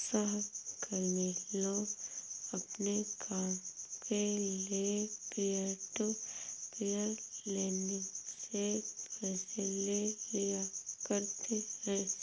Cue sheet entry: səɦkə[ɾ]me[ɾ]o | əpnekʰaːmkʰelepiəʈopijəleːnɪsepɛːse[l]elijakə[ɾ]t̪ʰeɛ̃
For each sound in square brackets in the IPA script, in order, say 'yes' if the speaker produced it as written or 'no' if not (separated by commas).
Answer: yes, no, yes, yes